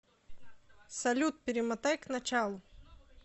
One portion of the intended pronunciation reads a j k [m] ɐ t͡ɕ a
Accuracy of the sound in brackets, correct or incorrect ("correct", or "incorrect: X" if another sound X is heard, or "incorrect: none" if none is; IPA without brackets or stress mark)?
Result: incorrect: n